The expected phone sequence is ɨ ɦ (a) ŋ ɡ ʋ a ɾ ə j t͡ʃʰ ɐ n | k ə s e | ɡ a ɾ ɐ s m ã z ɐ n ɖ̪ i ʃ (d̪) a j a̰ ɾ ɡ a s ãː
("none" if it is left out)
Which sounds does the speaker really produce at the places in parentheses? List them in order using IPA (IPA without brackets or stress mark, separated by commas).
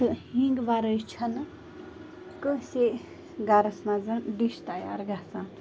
i, t̪